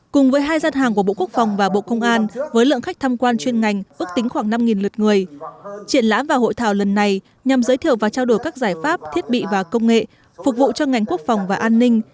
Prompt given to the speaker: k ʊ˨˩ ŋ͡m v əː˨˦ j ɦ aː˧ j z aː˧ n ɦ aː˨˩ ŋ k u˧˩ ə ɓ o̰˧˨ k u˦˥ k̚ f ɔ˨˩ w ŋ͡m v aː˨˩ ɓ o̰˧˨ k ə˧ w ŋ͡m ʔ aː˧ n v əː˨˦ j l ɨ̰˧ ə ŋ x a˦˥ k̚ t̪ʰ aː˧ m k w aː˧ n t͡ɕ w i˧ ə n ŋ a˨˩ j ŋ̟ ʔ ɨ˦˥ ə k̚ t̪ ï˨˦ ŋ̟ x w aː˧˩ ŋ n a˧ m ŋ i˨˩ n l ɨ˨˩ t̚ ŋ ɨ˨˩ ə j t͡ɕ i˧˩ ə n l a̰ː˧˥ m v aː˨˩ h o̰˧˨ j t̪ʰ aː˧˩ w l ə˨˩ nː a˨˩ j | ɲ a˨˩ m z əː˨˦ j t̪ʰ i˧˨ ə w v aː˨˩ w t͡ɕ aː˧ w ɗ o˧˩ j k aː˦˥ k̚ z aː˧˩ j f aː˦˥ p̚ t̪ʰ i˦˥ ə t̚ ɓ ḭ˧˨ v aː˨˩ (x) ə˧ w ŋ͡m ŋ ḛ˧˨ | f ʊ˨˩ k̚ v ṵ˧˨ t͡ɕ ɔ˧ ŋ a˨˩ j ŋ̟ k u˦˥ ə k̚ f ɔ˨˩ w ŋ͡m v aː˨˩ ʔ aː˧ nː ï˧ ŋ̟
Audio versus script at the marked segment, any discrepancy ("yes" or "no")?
yes